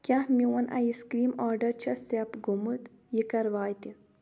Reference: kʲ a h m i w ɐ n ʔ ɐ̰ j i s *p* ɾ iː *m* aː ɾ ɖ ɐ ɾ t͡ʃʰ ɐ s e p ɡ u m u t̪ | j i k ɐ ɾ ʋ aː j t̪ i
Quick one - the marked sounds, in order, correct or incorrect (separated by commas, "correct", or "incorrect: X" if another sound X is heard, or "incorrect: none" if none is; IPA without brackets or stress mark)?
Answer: incorrect: k, correct